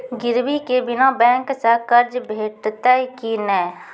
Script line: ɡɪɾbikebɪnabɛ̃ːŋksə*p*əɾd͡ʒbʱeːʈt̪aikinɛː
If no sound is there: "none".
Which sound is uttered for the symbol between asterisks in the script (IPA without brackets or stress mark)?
k